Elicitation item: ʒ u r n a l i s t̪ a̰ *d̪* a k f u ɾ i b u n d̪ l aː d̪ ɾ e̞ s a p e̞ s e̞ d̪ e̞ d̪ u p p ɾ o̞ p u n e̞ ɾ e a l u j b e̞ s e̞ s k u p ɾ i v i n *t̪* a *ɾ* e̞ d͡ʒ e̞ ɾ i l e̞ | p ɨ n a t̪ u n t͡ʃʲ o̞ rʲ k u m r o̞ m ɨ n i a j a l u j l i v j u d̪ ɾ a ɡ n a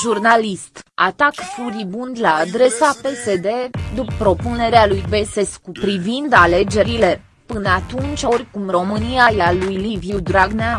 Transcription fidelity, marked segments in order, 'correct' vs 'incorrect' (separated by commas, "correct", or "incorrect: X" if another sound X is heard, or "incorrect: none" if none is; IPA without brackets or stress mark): incorrect: t̪, incorrect: d̪, incorrect: l